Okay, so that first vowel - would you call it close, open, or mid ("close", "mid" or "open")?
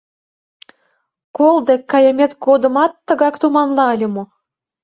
mid